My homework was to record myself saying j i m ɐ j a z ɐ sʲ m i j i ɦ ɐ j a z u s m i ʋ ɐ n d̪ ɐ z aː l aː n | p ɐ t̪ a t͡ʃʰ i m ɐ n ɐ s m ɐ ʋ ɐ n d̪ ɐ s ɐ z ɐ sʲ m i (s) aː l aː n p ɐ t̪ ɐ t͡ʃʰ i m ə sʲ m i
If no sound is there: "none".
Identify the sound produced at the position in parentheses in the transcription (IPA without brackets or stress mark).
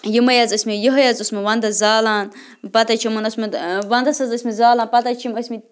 z